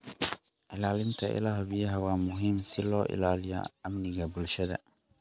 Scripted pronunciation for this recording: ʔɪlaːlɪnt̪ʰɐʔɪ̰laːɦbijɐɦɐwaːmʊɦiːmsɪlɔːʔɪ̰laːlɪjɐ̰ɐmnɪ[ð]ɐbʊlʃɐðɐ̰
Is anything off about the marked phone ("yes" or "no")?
yes